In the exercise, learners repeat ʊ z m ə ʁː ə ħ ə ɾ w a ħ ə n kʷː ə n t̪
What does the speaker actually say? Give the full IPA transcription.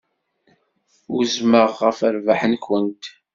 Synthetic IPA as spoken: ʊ z m ə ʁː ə f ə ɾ v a ħ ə n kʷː ə n t̪